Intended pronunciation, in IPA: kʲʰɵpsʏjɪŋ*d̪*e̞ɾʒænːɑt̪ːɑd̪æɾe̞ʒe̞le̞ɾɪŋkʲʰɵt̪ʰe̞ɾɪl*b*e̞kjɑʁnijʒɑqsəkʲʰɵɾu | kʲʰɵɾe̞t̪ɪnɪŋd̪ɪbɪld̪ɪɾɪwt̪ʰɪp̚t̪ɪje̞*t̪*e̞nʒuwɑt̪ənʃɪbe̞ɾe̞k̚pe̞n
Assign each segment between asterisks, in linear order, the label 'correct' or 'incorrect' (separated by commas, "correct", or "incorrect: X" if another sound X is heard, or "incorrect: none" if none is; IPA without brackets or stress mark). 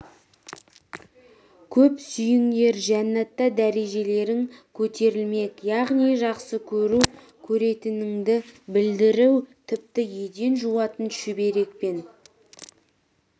correct, incorrect: m, incorrect: d̪